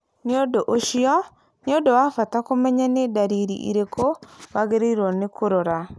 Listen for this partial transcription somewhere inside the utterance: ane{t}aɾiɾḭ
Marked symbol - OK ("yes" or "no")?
no